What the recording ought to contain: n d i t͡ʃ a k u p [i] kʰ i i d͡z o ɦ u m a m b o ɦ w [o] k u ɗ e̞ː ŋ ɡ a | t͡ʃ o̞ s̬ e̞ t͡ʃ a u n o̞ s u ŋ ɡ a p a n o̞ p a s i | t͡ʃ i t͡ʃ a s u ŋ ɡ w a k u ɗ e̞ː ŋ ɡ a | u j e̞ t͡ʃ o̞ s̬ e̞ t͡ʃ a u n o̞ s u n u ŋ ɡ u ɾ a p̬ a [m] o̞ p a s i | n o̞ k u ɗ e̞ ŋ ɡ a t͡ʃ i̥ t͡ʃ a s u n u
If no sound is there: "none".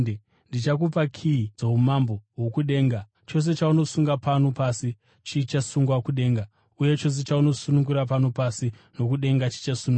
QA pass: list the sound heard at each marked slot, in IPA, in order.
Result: a, o, n

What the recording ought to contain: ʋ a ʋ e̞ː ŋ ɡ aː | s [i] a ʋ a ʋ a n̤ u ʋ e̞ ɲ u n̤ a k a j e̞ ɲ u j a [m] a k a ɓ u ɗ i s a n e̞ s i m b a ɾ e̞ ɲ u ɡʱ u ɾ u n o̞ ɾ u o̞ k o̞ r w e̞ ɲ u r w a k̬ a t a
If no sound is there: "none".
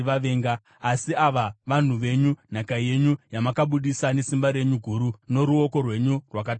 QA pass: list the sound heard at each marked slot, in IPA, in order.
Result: i, m

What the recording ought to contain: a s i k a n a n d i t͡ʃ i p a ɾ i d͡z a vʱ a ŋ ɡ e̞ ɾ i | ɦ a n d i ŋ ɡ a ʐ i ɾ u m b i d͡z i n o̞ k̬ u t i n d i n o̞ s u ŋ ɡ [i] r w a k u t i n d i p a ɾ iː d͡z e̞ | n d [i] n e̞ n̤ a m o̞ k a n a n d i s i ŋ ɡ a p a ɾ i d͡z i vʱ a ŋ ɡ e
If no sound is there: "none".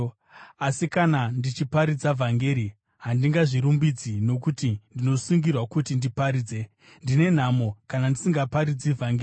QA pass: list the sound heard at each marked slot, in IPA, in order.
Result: i, i

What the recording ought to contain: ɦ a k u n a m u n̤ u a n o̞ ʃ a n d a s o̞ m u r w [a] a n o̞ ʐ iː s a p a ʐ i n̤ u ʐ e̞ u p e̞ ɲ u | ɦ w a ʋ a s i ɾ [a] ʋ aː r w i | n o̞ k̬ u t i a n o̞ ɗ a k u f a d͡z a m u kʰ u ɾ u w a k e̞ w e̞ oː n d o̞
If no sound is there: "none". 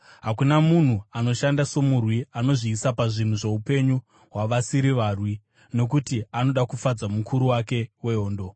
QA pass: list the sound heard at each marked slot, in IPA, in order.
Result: i, i

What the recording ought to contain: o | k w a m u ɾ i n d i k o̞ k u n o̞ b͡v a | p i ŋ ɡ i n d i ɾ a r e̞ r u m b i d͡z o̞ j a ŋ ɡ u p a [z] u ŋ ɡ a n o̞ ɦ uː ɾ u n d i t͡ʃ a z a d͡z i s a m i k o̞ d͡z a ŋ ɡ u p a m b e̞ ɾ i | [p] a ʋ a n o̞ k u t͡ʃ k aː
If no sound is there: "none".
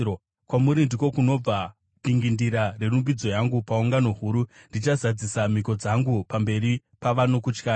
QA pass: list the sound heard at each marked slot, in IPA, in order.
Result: none, p

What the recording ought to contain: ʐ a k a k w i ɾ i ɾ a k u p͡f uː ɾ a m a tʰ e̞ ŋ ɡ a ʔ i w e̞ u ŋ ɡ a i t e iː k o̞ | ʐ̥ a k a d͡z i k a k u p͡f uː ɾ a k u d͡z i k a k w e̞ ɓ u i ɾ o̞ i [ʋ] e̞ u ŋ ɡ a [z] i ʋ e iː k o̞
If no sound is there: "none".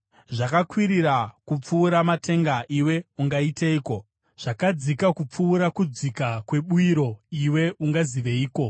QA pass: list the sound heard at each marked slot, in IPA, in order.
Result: w, z

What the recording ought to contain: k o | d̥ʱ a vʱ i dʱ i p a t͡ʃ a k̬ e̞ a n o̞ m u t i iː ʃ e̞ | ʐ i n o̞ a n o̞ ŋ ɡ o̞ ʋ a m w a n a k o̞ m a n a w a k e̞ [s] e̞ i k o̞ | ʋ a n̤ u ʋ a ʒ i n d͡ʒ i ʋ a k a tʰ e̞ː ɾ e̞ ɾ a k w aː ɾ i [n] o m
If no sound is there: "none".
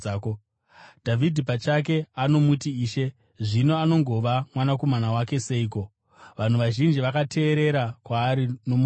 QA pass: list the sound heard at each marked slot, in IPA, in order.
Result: s, n

